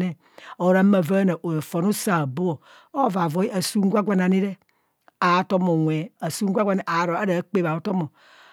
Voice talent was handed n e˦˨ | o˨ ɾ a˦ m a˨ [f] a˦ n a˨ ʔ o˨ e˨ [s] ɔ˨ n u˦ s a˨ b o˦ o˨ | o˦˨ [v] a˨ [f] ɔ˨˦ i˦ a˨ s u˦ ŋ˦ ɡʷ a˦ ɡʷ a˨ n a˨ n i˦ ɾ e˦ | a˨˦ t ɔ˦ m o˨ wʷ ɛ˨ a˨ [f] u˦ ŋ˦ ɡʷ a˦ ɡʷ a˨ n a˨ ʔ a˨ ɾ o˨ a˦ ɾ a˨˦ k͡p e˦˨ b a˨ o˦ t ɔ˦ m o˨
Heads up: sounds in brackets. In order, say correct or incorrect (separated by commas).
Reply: incorrect, incorrect, correct, incorrect, incorrect